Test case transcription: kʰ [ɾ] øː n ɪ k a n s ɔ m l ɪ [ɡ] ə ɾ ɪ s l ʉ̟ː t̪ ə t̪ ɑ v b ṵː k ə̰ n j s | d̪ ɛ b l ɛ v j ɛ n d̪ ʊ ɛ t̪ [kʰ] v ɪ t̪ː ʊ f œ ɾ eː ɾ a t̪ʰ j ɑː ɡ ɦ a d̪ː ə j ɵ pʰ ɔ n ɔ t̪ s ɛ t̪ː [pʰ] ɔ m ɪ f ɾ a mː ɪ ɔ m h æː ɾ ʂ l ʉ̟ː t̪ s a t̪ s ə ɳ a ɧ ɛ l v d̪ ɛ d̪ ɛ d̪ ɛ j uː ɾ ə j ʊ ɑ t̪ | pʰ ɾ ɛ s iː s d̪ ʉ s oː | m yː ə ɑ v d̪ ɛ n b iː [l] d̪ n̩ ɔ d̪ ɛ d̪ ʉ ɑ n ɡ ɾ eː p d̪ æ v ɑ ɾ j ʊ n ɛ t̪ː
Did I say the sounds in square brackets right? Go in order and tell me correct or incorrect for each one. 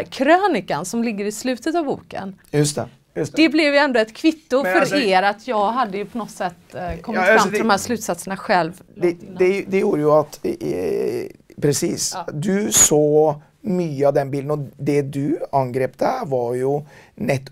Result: correct, incorrect, correct, incorrect, correct

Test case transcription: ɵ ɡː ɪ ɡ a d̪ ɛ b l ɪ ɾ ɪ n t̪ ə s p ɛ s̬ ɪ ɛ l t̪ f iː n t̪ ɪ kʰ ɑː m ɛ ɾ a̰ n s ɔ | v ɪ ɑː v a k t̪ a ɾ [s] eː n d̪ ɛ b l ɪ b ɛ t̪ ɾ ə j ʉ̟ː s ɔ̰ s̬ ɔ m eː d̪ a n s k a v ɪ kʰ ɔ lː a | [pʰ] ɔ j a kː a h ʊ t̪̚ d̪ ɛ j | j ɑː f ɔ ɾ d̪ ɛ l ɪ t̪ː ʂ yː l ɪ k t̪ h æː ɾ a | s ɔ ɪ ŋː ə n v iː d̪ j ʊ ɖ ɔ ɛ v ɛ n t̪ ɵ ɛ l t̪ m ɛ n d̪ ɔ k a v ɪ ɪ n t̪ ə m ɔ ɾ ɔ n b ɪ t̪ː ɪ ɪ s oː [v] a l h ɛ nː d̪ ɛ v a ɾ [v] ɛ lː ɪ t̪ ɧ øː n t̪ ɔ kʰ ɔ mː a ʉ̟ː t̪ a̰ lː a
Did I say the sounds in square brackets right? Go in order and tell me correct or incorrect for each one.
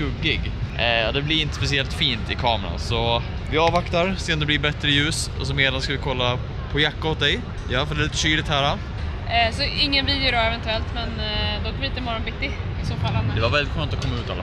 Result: correct, correct, incorrect, correct

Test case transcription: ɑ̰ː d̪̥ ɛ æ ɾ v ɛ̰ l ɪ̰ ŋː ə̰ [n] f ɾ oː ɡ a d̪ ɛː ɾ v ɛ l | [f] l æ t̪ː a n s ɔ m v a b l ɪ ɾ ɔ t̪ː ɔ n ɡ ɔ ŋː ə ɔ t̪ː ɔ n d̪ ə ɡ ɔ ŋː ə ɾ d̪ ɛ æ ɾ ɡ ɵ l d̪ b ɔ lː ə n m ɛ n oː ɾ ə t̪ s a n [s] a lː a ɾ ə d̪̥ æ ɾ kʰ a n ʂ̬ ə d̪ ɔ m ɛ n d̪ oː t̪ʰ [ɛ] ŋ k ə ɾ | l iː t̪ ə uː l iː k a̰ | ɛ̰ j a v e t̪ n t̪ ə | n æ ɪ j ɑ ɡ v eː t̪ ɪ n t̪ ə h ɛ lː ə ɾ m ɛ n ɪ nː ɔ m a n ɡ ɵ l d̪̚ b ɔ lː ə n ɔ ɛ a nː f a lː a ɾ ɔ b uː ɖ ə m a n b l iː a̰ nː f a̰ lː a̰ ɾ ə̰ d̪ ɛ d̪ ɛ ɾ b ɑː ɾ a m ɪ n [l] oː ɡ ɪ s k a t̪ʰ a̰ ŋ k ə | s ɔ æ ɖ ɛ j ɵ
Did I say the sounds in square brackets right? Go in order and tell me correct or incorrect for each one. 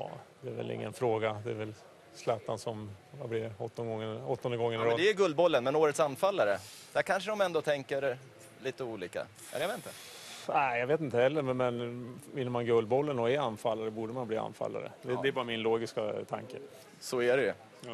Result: correct, incorrect, incorrect, correct, correct

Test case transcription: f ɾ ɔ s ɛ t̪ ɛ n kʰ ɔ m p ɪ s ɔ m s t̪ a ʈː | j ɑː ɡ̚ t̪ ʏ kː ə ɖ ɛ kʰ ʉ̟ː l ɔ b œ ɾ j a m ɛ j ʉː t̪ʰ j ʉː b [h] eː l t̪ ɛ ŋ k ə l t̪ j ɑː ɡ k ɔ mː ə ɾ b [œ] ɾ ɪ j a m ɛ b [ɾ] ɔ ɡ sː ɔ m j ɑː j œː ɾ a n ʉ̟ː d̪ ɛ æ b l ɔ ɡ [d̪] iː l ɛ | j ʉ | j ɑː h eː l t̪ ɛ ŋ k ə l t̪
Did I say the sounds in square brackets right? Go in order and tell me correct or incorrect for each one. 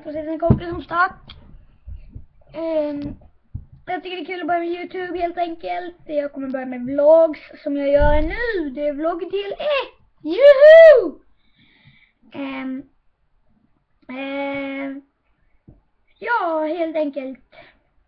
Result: correct, correct, incorrect, correct

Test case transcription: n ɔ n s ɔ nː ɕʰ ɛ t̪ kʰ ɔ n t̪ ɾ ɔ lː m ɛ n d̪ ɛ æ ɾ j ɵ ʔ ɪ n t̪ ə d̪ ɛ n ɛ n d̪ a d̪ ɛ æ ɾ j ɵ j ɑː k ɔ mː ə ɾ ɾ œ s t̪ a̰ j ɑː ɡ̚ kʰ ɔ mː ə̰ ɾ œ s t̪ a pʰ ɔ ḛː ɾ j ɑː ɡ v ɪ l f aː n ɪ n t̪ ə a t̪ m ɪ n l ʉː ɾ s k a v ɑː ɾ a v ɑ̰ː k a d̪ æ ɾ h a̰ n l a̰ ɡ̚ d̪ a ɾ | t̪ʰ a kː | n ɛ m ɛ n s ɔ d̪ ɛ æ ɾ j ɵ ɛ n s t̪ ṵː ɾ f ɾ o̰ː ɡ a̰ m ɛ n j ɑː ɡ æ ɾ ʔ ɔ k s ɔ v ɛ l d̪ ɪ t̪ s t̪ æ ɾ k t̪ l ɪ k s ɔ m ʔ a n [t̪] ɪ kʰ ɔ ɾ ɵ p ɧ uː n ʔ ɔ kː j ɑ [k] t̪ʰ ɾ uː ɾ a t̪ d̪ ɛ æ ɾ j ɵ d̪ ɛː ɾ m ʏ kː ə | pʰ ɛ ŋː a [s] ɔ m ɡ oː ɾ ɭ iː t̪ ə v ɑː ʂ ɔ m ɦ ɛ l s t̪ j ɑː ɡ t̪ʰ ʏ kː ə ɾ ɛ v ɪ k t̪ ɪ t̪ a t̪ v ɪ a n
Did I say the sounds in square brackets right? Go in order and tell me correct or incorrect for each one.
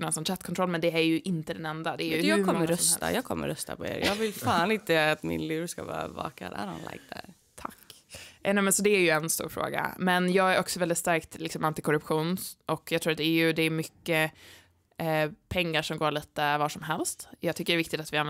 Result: correct, incorrect, incorrect

